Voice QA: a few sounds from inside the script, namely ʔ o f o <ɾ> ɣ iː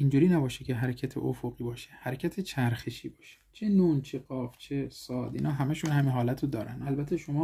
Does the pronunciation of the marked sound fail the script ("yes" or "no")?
yes